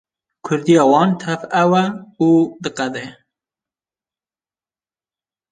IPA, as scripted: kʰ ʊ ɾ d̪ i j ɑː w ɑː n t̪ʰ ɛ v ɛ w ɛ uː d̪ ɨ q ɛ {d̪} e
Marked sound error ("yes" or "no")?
no